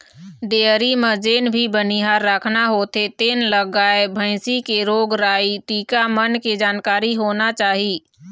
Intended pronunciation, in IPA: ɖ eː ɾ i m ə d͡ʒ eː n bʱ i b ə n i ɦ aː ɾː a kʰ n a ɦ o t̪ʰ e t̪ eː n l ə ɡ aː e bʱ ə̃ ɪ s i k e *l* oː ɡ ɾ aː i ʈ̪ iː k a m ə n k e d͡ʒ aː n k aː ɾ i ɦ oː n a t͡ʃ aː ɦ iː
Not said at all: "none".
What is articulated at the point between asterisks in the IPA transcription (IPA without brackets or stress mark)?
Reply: ɾ